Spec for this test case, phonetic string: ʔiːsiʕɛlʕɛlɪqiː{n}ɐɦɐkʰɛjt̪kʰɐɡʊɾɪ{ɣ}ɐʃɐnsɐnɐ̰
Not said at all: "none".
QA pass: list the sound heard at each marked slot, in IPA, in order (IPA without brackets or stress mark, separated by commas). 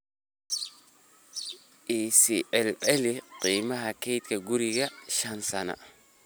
m, ɣ